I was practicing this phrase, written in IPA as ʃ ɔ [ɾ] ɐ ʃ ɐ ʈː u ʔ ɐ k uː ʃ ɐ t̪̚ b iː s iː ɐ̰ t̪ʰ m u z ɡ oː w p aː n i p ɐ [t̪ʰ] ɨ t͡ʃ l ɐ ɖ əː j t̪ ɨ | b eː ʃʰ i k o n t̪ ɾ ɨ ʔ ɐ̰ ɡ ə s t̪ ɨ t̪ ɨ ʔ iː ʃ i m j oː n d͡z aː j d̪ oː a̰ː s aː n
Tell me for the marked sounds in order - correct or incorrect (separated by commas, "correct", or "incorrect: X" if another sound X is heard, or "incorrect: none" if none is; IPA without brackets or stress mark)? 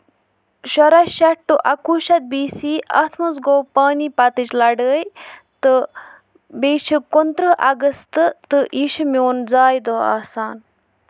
correct, incorrect: t̪